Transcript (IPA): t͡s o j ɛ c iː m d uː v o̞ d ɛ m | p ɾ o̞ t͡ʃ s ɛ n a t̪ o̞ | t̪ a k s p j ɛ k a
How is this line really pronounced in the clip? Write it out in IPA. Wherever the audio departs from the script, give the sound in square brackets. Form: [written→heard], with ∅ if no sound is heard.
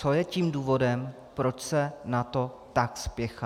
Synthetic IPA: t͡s o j ɛ c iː m d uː v o̞ d ɛ m | p ɾ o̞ t͡ʃ s ɛ n a t̪ o̞ | t̪ a k s p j ɛ [k→x] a